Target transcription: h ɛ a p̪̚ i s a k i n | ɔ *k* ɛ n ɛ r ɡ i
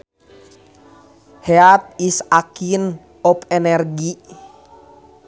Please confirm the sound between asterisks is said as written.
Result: no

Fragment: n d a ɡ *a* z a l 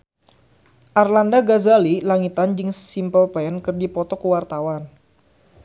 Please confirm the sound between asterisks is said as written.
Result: yes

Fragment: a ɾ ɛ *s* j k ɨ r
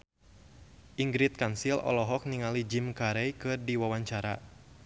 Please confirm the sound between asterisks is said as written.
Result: no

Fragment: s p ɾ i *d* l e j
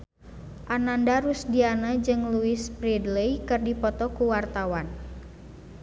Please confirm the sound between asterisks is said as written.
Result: yes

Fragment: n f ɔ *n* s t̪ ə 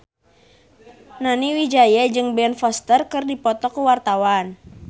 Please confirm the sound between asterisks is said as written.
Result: no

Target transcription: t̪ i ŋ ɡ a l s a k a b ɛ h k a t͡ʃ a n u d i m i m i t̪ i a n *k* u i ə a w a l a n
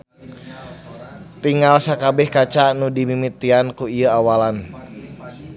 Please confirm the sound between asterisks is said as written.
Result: yes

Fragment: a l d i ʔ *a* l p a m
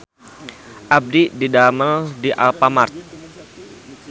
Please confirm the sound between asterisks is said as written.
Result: yes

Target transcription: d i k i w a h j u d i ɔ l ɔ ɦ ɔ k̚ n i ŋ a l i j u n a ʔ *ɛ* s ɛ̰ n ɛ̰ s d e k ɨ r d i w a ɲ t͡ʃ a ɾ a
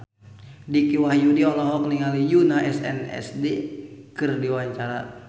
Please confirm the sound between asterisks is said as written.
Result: yes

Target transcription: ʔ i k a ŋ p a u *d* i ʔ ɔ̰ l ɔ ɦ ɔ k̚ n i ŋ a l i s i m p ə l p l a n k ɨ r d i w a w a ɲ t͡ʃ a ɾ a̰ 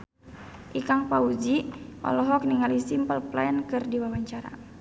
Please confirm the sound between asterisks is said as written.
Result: no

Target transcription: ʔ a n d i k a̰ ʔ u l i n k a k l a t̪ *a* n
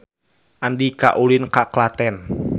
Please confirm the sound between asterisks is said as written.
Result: no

